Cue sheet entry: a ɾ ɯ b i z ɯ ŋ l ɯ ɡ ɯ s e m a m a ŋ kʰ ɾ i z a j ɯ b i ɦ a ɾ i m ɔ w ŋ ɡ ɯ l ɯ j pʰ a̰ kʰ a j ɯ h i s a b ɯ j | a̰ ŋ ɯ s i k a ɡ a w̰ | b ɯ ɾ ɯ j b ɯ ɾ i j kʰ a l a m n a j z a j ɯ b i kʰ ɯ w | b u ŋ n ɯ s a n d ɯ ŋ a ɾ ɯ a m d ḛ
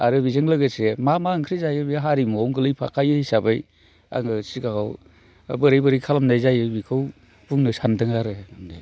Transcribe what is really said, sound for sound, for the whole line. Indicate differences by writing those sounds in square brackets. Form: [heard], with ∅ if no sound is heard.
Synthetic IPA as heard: a ɾ ɯ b i z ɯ ŋ l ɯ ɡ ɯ s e m a m a ŋ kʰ ɾ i z a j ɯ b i ɦ a ɾ i m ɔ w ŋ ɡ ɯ l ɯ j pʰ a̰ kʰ a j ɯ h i s a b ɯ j | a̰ ŋ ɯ s i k a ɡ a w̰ | b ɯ ɾ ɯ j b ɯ ɾ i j kʰ a l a m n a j z a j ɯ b i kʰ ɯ w | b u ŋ n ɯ s a n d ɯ ŋ a ɾ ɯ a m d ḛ